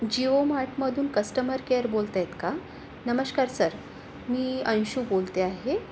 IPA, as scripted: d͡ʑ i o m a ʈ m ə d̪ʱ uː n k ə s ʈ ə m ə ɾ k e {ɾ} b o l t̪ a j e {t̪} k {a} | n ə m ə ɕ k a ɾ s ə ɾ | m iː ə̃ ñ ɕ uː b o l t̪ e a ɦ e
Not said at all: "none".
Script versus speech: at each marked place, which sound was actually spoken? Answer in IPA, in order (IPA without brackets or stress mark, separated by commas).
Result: ɾ, t̪, a